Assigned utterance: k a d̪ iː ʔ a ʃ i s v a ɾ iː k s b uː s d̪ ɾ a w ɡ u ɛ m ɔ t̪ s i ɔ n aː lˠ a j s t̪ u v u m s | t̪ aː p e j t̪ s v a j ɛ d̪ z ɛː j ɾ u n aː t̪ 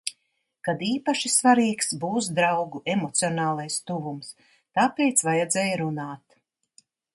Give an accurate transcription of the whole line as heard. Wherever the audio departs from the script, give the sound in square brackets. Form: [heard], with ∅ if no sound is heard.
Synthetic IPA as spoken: k a d̪ iː [p] a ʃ i s v a ɾ iː k s b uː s d̪ ɾ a w ɡ u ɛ m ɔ t̪ s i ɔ n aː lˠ a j s t̪ u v u m s | t̪ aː p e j t̪ s v a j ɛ d̪ z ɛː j ɾ u n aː t̪